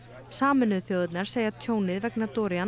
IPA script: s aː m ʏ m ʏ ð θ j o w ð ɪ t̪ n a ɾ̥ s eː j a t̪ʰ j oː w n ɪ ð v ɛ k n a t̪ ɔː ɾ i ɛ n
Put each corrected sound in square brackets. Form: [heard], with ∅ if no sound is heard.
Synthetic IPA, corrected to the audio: s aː m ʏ [n] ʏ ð θ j o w ð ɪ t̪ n a ɾ̥ s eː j a t̪ʰ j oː w n ɪ ð v ɛ k n a t̪ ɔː ɾ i [a] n